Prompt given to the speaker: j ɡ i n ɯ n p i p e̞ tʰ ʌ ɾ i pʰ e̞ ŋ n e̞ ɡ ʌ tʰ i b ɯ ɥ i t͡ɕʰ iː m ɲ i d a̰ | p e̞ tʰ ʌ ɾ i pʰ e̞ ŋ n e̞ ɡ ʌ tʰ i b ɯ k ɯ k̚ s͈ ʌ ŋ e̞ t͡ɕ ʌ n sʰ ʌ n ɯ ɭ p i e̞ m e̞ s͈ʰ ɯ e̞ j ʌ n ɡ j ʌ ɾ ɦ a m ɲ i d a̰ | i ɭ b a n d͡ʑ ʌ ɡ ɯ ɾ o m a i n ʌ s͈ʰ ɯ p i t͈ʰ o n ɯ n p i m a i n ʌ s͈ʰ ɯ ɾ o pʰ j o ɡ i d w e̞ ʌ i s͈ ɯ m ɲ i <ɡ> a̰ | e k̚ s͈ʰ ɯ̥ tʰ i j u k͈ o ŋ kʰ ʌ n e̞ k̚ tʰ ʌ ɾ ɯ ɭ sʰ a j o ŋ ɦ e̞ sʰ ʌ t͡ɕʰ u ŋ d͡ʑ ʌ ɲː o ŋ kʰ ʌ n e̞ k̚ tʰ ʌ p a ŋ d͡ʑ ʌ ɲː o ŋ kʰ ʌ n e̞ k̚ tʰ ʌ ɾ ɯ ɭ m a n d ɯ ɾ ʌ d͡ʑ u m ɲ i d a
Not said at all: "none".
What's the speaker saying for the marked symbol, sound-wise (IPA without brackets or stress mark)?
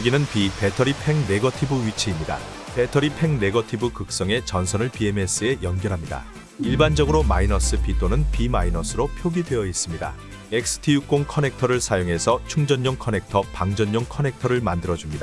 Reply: d